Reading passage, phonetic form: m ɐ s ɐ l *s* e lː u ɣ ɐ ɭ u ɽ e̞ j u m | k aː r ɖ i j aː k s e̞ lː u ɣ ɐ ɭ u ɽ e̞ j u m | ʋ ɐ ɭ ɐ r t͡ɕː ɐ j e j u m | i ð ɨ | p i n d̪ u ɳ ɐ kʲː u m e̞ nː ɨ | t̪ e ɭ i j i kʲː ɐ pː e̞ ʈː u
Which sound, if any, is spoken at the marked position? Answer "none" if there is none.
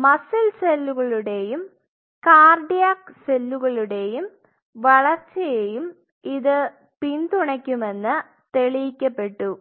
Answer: s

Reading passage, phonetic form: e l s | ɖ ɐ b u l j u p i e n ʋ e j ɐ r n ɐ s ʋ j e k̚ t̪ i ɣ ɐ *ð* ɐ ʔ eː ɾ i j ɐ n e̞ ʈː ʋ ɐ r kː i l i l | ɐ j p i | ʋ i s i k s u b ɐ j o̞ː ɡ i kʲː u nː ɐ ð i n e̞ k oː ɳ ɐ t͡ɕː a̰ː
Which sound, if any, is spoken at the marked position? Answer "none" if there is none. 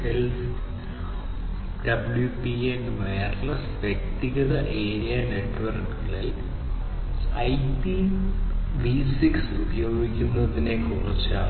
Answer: ð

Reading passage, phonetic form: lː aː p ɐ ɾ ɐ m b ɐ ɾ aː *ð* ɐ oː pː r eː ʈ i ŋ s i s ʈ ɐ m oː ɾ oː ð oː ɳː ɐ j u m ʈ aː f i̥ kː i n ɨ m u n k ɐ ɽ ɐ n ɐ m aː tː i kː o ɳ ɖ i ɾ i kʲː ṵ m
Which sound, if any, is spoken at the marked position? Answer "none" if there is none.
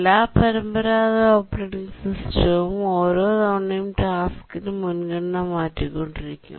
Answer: ð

